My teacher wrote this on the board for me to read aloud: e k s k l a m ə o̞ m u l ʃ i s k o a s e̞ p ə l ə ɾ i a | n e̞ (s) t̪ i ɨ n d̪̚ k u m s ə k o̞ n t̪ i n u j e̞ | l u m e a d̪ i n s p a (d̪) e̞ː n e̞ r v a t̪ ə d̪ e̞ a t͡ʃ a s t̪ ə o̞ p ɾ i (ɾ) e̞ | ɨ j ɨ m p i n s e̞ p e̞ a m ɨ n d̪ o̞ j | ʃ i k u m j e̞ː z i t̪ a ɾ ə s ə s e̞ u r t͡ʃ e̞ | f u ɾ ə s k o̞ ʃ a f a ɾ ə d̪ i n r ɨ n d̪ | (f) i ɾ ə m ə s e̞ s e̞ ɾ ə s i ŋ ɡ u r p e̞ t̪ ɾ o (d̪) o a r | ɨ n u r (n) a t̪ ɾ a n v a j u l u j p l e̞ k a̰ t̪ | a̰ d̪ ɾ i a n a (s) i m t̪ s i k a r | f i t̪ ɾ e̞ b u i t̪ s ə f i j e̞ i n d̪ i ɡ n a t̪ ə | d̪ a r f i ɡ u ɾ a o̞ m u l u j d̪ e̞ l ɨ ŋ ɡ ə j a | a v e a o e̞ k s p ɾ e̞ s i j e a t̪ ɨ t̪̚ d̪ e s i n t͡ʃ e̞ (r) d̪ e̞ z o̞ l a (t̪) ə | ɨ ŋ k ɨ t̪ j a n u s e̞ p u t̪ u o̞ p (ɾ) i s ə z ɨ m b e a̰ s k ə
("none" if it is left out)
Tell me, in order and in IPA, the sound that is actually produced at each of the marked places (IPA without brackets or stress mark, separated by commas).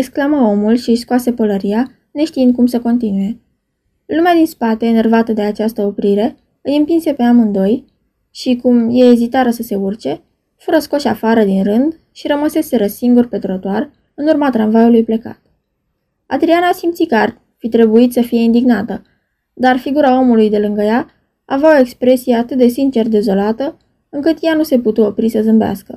ʃ, t̪, ɾ, ʃ, t̪, m, s, r, t̪, ɾ